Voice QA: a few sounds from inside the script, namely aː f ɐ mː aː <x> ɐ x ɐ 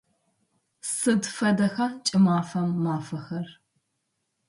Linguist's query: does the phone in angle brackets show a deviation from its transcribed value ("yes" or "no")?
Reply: yes